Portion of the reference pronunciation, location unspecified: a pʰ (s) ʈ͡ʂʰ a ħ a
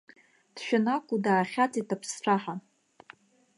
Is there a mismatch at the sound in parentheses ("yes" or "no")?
no